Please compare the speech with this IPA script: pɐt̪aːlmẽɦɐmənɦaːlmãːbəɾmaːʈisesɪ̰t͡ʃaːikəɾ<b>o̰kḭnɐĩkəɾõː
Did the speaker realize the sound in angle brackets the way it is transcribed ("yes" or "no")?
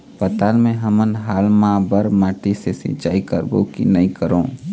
yes